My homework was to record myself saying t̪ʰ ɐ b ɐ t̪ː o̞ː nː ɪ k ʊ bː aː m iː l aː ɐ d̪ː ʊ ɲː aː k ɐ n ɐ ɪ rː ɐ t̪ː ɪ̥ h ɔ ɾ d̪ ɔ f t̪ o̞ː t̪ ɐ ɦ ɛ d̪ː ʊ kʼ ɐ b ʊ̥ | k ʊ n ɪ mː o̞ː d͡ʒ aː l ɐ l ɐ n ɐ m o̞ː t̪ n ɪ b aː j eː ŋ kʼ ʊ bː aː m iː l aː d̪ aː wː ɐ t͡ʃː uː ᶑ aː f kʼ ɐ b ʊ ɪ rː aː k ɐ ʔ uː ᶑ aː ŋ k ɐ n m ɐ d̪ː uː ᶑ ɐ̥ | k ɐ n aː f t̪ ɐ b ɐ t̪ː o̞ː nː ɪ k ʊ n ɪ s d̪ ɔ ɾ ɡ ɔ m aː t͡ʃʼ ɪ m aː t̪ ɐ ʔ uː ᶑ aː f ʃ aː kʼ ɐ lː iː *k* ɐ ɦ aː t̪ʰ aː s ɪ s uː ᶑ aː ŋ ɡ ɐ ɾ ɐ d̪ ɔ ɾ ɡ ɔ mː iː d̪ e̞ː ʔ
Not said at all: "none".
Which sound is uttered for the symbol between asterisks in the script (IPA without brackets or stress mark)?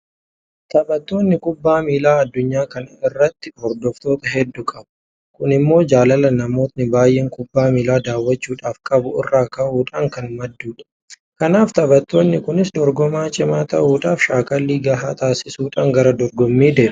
ɡ